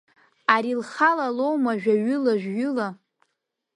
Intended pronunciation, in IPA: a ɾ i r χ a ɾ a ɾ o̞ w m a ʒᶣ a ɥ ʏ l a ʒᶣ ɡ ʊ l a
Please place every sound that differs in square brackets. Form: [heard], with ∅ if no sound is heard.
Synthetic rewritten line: a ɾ i [l] χ a [l] a [l] o̞ w m a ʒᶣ a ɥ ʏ l a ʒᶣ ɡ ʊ l a

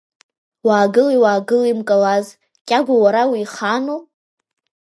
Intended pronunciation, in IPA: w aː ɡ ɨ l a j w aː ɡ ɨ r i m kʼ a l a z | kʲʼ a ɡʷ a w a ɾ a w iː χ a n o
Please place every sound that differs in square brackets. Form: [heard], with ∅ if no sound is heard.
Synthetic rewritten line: w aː ɡ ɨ l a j w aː ɡ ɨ [l] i m kʼ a l a z | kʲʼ a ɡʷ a w a ɾ a w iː χ a n o

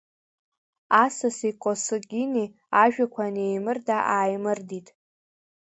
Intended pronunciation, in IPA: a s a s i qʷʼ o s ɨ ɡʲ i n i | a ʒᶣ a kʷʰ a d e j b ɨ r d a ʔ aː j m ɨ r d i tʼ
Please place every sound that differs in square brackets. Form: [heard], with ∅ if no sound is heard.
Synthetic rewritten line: a s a s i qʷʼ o s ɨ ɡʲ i n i | a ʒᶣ a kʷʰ a [n] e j [m] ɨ r d a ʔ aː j m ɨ r d i tʼ

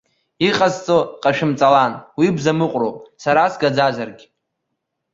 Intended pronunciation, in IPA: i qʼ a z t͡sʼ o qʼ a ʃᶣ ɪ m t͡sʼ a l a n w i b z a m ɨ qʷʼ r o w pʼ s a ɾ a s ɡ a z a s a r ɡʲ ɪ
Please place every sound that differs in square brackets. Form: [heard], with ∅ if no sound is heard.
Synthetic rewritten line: i qʼ a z t͡sʼ o qʼ a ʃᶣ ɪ m t͡sʼ a l a n w i b z a m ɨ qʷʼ r o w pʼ s a ɾ a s ɡ a [d͡z] a [z] a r ɡʲ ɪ

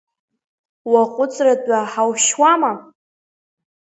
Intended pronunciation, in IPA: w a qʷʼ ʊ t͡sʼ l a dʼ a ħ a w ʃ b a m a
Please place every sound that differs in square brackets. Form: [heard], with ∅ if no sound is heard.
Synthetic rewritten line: w a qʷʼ ʊ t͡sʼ [r] a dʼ a ħ a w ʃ [w] a m a

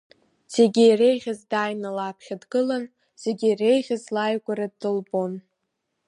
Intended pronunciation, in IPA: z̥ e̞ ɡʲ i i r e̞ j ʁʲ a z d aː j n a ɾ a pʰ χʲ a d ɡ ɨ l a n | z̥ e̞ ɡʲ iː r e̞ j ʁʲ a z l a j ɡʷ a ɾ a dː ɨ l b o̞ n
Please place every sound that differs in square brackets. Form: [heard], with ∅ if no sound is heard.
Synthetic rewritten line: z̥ e̞ ɡʲ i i r e̞ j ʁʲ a z d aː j n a [l] a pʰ χʲ a d ɡ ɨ l a n | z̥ e̞ ɡʲ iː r e̞ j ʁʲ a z l a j ɡʷ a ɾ a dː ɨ l b o̞ n

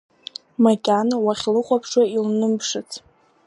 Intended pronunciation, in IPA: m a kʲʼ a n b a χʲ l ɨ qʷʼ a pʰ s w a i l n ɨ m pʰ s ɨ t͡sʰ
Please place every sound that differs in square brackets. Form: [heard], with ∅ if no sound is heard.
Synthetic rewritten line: m a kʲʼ a n [w] a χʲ l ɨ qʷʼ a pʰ [ʂ] w a i l n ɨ m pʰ [ʂ] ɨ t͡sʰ

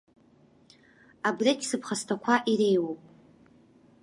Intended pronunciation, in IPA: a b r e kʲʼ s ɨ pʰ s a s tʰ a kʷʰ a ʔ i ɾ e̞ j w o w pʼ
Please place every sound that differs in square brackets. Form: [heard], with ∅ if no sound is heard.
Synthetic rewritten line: a b r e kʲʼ s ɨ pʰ [χ] a s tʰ a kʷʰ a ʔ i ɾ e̞ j w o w pʼ

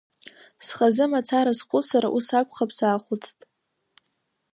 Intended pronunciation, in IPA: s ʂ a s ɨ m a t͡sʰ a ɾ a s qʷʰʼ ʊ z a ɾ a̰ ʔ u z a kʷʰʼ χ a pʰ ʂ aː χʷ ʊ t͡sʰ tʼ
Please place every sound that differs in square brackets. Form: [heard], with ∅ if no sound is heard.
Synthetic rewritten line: s [χ] a [z] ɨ m a t͡sʰ a ɾ a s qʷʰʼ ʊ [s] a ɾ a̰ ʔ u [s] a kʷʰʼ χ a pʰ [s] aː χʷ ʊ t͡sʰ tʼ

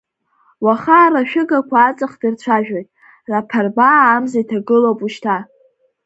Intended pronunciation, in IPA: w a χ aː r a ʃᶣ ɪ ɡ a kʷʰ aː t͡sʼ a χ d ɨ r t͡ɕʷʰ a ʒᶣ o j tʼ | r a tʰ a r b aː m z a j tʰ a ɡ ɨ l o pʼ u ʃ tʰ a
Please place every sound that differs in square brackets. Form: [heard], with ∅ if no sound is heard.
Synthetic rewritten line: w a χ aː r a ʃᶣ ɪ ɡ a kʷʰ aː t͡sʼ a χ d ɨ r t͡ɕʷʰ a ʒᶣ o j tʼ | r a [pʰ] a r b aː m z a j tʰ a ɡ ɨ l o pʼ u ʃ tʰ a

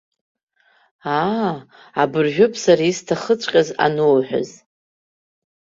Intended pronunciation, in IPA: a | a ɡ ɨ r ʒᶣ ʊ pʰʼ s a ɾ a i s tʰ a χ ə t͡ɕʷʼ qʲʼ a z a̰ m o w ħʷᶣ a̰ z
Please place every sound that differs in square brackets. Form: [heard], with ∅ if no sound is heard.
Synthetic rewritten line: a | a [b] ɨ r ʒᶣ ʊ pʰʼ s a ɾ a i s tʰ a χ ə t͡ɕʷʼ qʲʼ a z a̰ [n] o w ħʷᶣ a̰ z

